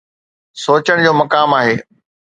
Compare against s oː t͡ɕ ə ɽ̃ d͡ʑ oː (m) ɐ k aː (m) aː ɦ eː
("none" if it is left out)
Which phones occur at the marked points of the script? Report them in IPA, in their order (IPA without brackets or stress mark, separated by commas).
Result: m, m